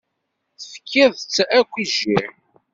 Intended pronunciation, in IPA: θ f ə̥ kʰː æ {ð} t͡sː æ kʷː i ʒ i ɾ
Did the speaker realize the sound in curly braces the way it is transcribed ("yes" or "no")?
yes